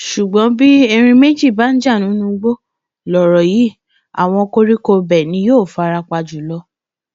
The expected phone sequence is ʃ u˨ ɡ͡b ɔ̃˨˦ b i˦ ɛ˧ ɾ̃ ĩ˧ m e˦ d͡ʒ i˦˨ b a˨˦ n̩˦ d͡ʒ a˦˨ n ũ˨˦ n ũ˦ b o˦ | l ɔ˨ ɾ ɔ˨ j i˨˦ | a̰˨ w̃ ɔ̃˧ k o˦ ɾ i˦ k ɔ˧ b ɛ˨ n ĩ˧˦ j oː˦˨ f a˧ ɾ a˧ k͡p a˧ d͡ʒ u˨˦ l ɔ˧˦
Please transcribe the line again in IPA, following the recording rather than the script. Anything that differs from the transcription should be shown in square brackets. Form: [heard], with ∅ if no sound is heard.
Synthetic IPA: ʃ u˨ ɡ͡b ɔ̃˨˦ b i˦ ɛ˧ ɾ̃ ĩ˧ m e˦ d͡ʒ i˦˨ b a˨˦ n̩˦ d͡ʒ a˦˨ n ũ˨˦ n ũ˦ [ɡ͡b] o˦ | l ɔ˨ ɾ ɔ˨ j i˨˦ | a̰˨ w̃ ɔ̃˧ k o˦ ɾ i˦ k [o˧] b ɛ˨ n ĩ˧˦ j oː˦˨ f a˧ ɾ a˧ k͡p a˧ d͡ʒ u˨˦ l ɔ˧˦